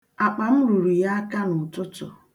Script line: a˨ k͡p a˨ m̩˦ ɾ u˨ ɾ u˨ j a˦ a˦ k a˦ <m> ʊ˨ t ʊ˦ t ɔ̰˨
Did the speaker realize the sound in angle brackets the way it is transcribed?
no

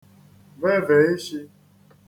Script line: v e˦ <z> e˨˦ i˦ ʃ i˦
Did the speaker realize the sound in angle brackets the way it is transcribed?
no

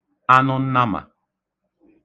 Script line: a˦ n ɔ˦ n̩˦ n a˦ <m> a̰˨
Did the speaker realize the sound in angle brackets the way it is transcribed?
yes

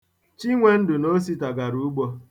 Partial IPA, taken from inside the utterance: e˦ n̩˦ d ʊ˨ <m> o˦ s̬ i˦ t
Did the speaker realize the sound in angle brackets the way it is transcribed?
no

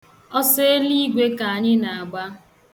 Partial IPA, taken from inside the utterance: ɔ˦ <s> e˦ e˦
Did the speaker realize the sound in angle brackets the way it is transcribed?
yes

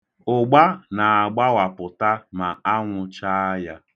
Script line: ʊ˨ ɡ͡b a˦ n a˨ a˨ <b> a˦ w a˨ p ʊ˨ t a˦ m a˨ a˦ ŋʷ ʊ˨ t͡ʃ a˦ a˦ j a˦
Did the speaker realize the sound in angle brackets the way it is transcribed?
no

